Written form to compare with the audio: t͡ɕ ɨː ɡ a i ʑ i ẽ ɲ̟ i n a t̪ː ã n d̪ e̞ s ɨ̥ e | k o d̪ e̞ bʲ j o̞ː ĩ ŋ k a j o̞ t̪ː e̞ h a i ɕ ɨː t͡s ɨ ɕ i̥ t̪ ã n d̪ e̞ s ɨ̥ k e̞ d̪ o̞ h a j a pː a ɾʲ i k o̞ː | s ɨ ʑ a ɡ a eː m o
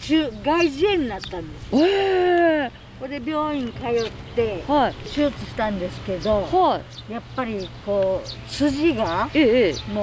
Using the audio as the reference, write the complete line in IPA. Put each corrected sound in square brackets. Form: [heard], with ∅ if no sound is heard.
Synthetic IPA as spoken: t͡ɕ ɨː ɡ a i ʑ i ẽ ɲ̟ i n a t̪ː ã n d̪ e̞ s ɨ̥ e | k o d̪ e̞ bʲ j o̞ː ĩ ŋ k a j o̞ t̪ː e̞ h a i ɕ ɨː t͡s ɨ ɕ i̥ t̪ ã n d̪ e̞ s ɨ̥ k e̞ d̪ o̞ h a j a pː a ɾʲ i k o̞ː | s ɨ ʑ [i] ɡ a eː m o